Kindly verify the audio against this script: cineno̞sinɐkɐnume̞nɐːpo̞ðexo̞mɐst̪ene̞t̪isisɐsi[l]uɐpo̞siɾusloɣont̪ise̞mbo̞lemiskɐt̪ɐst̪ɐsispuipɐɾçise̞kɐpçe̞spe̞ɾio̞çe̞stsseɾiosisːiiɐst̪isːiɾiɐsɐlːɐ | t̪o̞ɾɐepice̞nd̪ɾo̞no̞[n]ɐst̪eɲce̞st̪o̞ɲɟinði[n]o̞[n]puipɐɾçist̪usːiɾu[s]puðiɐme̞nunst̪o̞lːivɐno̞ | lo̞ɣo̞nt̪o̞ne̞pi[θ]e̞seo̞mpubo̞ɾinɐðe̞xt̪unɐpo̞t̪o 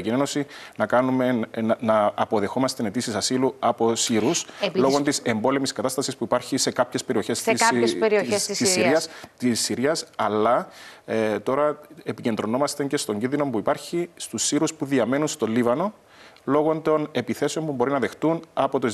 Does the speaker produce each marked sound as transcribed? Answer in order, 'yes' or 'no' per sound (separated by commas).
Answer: yes, no, yes, no, yes, yes